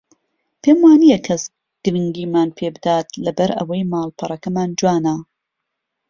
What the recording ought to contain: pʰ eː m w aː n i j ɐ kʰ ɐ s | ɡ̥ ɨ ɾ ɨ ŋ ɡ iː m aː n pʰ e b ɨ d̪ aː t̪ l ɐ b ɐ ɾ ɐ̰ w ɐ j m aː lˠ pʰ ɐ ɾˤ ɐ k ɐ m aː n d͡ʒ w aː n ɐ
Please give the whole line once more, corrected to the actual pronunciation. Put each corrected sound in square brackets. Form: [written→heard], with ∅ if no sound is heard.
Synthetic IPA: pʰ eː m w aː n i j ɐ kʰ ɐ s | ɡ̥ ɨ ɾ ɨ ŋ ɡ iː m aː n pʰ e b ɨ d̪ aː t̪ l ɐ b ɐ ɾ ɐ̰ w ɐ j m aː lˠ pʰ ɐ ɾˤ ɐ k ɐ m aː n d͡ʒ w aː n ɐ